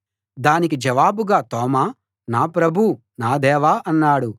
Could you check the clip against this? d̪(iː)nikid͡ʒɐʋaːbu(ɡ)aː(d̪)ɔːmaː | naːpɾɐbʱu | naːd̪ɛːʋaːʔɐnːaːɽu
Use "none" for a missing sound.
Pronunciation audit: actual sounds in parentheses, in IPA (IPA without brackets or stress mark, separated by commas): aː, ɡ, t̪